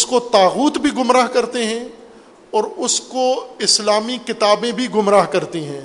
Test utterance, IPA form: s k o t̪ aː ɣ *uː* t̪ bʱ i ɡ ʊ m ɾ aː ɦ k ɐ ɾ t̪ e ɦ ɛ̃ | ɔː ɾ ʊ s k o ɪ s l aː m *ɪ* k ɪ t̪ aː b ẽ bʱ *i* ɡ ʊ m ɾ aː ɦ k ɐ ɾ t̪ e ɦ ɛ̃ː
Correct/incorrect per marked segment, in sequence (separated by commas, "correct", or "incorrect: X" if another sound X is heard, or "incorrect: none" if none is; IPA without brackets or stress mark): correct, incorrect: i, correct